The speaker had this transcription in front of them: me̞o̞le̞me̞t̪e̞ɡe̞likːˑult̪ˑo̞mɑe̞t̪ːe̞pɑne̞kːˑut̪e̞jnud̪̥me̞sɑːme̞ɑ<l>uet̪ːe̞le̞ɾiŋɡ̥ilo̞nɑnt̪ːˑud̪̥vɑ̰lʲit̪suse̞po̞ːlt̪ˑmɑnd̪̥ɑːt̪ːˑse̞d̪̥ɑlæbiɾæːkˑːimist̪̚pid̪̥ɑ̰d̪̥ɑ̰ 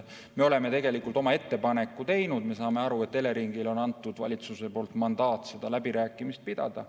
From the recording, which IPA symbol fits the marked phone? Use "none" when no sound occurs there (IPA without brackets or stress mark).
ɾ